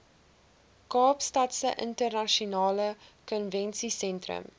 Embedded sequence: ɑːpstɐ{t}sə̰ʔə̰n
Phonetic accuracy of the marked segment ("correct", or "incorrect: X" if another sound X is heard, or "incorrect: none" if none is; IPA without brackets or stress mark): correct